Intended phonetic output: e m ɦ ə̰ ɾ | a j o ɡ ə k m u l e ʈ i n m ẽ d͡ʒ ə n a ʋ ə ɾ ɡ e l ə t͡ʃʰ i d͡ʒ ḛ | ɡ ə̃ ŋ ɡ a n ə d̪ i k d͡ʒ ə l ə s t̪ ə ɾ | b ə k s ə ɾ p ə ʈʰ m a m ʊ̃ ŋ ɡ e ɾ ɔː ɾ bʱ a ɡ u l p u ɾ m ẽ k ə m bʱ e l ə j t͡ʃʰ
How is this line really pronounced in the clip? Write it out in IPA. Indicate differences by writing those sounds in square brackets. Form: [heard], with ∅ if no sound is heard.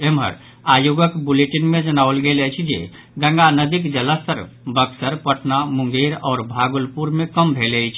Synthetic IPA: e m ɦ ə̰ ɾ | a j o ɡ ə k [b] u l e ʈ i n m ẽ d͡ʒ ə n a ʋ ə [l] ɡ e l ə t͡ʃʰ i d͡ʒ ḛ | ɡ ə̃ ŋ ɡ a n ə d̪ i k d͡ʒ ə l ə s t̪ ə ɾ | b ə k s ə ɾ p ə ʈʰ [n] a m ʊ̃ ŋ ɡ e ɾ ɔː ɾ bʱ a ɡ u l p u ɾ m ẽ k ə m bʱ e l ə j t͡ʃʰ